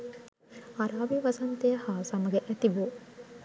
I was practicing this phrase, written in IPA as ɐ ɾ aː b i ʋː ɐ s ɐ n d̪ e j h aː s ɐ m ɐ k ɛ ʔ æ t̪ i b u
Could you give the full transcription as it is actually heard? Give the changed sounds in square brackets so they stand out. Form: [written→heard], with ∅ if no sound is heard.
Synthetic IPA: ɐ ɾ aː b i [ʋː→ʋ] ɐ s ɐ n [d̪→t̪] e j h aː s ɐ m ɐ [k→ɡ] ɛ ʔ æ t̪ i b u